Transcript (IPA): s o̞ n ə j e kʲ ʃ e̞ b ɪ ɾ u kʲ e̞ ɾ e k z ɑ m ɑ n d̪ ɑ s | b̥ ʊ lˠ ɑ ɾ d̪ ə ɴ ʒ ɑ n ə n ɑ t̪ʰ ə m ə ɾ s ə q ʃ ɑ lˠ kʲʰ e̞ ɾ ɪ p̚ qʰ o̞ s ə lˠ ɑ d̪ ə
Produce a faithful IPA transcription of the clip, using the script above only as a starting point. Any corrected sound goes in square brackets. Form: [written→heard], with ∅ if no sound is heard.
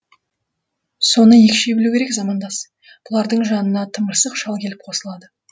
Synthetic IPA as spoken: s o̞ n ə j e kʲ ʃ e̞ b ɪ [ɾ→l] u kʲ e̞ ɾ e k z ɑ m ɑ n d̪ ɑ s | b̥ ʊ lˠ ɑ ɾ d̪ ə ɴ ʒ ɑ n ə n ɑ t̪ʰ ə m ə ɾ s ə q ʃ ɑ lˠ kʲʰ e̞ [ɾ→l] ɪ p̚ qʰ o̞ s ə lˠ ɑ d̪ ə